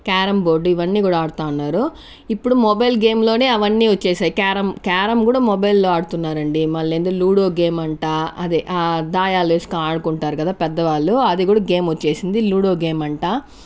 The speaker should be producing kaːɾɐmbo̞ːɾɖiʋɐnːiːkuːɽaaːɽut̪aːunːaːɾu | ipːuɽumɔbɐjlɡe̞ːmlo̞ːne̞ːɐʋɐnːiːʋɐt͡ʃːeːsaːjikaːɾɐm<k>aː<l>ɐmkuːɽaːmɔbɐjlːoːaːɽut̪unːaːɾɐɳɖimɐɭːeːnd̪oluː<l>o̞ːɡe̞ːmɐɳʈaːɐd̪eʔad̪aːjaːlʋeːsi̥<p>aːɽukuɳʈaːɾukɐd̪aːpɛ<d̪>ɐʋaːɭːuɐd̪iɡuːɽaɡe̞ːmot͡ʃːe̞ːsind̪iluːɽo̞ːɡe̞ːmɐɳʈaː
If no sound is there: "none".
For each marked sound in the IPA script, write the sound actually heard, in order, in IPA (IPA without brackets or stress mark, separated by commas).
k, ɾ, ɽ, k, d̪ː